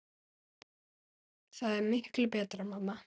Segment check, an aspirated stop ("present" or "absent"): absent